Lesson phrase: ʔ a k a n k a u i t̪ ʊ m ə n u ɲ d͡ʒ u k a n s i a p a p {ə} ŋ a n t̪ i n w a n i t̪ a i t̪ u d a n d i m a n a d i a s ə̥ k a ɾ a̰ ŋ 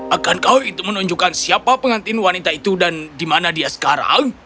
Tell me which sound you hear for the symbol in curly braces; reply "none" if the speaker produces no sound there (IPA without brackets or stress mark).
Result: ə